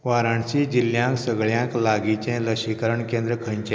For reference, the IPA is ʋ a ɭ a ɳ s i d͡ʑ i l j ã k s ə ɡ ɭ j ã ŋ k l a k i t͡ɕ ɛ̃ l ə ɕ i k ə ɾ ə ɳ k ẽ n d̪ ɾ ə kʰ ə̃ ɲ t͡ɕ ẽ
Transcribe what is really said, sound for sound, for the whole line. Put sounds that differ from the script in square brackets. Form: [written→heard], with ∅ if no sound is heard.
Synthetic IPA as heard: ʋ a [ɭ→ɾ] a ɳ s i d͡ʑ i l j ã k s ə ɡ ɭ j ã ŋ k l a [k→ɡ] i t͡ɕ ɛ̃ l ə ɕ i k ə ɾ ə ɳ k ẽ n d̪ ɾ ə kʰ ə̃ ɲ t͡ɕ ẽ